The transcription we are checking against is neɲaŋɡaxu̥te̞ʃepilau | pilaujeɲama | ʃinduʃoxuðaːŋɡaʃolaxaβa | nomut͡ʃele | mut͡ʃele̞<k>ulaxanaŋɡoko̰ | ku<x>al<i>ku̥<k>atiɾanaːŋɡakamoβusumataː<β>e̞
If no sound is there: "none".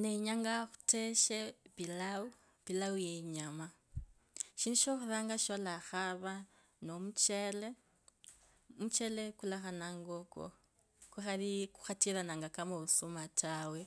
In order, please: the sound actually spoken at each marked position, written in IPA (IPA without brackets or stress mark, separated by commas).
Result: k, x, i, x, w